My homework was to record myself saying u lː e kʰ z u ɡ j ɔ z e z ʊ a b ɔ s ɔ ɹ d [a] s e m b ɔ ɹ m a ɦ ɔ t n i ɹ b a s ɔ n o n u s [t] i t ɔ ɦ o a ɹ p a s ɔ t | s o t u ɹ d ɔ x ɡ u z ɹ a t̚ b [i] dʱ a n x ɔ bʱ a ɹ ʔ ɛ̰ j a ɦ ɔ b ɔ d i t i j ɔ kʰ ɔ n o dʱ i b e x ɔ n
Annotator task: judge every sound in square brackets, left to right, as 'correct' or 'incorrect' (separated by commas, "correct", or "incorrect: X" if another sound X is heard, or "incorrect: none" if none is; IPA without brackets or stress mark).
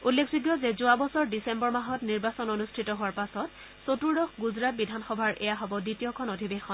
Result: incorrect: i, incorrect: tʰ, correct